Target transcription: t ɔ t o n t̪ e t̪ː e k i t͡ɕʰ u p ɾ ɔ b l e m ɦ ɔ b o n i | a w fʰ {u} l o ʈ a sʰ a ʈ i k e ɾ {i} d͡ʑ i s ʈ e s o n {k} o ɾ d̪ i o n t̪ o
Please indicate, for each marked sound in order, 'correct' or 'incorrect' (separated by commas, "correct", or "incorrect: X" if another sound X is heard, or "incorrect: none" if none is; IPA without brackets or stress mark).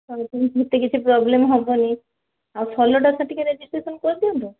incorrect: ɔ, incorrect: e, correct